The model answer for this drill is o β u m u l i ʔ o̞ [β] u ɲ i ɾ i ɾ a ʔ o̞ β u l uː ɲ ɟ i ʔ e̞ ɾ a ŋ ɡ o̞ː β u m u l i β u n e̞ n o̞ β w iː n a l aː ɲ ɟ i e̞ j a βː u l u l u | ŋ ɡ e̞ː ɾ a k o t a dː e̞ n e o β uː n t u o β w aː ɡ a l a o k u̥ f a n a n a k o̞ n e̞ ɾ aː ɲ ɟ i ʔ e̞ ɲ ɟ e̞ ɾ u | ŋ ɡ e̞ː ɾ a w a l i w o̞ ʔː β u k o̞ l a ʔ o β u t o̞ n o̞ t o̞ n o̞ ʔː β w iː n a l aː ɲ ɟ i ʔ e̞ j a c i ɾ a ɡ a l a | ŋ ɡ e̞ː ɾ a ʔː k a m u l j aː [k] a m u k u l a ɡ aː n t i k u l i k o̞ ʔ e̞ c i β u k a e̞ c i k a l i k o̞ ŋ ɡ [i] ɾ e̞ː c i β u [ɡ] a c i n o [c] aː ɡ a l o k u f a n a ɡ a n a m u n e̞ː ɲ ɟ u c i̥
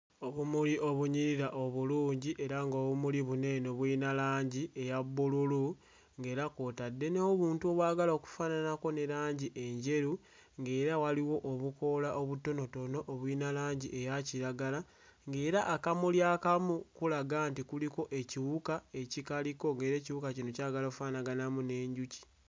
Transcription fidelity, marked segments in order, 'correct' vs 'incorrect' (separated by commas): correct, correct, incorrect, incorrect, correct